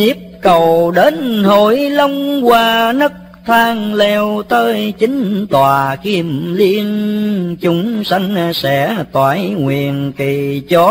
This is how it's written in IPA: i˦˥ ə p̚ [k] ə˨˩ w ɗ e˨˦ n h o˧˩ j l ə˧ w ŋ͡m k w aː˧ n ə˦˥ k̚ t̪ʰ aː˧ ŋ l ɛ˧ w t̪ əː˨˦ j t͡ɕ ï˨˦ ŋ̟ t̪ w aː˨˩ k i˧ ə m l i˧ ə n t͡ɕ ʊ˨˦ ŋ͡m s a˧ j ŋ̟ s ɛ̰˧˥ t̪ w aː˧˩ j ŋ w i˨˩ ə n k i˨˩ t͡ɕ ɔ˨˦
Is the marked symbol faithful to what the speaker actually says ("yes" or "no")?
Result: yes